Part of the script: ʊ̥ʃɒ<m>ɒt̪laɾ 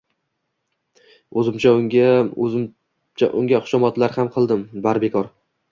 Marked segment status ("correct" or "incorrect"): correct